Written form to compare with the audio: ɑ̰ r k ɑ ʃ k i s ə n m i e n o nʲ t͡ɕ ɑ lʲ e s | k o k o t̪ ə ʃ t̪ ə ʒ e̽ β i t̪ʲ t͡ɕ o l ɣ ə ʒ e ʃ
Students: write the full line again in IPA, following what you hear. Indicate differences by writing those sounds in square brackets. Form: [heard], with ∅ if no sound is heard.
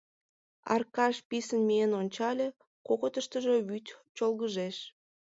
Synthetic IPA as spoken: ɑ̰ r k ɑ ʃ [p] i s ə n m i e n o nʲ t͡ɕ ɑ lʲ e [∅] | k o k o t̪ ə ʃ t̪ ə ʒ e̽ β [y] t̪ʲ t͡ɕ o l ɣ ə ʒ e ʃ